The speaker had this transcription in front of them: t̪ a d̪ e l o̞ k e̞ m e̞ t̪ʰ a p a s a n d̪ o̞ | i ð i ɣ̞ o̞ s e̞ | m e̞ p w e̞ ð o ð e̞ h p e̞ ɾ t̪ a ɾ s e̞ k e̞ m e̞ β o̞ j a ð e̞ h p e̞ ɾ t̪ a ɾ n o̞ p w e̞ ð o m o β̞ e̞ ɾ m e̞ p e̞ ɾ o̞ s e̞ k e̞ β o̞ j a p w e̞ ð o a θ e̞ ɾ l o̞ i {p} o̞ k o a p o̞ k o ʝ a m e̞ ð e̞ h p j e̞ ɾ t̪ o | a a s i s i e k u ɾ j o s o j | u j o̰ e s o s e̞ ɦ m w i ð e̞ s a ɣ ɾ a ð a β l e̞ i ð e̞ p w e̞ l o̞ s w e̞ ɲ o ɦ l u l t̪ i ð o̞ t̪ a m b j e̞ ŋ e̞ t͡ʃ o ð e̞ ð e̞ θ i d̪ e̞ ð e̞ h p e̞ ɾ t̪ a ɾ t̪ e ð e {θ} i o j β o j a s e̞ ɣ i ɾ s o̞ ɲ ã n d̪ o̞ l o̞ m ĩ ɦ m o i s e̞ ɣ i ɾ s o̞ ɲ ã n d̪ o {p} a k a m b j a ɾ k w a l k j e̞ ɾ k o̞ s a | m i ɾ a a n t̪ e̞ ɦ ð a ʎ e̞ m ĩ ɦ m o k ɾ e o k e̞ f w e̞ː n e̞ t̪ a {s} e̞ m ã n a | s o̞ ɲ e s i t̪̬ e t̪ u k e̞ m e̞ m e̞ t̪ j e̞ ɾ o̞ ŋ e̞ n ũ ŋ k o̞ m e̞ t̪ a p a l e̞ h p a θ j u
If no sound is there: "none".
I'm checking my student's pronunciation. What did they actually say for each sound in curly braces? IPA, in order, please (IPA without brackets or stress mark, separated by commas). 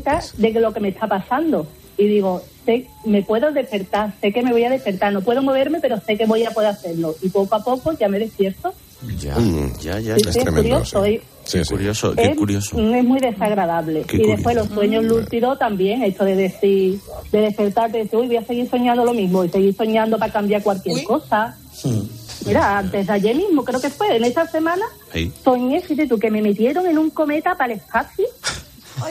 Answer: p, θ, p, s